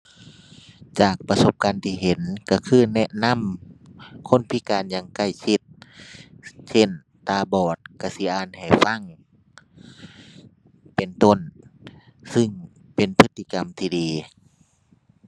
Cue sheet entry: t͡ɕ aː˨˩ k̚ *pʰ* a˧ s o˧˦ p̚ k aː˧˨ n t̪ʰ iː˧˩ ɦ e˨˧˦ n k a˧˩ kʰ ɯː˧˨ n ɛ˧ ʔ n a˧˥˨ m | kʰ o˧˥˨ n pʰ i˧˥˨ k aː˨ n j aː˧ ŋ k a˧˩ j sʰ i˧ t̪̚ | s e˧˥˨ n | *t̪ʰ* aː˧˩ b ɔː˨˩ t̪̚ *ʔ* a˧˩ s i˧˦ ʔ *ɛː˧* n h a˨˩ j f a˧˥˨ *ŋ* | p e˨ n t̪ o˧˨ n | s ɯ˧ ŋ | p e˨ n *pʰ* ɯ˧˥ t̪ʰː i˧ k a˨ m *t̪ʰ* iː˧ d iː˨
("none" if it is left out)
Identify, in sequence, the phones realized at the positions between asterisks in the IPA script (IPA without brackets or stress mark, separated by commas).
p, t̪, k, aː˧, ŋ, pʰ, t̪ʰ